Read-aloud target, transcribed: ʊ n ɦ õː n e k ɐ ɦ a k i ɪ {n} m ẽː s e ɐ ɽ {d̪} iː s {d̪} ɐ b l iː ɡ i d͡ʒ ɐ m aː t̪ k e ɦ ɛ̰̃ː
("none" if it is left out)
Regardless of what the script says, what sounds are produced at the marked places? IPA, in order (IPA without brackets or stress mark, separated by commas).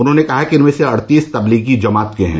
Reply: n, t̪, t̪